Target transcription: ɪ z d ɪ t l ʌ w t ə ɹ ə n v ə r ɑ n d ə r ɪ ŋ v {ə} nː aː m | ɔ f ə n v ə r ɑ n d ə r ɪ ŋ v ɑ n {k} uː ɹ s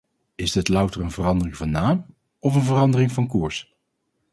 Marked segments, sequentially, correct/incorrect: incorrect, correct

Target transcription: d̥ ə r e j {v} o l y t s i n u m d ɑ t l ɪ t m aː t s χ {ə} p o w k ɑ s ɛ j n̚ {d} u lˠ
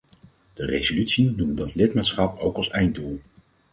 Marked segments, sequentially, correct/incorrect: incorrect, incorrect, correct

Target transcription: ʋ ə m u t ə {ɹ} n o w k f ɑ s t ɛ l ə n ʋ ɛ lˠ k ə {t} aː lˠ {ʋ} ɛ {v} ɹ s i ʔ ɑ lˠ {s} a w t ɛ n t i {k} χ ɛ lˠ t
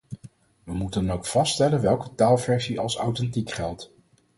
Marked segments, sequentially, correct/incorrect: incorrect, correct, incorrect, incorrect, correct, correct

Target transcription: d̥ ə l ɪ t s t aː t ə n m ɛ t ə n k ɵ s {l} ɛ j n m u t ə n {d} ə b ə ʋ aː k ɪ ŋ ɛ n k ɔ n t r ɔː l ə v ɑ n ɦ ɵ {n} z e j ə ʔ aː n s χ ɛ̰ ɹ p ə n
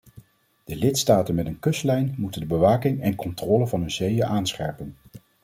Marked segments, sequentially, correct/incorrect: correct, correct, correct

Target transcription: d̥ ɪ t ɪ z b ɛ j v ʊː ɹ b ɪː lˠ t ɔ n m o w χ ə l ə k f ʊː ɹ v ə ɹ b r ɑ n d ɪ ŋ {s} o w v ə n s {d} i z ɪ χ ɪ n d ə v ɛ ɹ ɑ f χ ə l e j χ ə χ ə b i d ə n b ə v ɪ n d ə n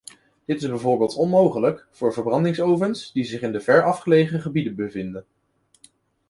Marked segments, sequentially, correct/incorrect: correct, correct

